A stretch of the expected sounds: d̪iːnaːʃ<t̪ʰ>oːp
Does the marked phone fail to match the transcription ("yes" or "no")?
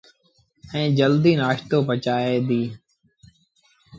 yes